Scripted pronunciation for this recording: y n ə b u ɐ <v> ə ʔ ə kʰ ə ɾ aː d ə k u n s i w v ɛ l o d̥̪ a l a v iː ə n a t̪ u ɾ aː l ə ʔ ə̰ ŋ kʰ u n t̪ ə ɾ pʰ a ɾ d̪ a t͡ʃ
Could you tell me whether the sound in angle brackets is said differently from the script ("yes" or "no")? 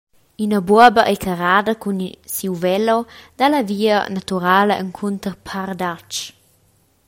yes